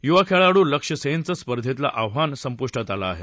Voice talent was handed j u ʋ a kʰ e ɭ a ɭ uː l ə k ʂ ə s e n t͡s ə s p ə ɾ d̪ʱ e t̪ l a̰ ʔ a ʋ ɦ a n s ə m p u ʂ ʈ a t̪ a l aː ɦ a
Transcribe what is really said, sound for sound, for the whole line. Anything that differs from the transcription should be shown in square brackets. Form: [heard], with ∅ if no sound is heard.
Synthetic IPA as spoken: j u ʋ a kʰ e ɭ a [ɽ] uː l ə k ʂ ə s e n t͡s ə s p ə ɾ d̪ʱ e t̪ l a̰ ʔ a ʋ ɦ a n s ə m p u ʂ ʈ a t̪ a l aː ɦ [e]